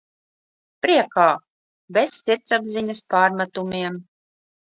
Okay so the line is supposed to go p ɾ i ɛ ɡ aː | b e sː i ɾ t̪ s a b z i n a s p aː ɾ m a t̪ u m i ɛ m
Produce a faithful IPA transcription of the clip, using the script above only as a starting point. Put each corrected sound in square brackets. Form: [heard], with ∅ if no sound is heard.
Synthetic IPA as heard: p ɾ i ɛ [k] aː | b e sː i ɾ t̪ s a b z i [ɲ] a s p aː ɾ m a t̪ u m i ɛ m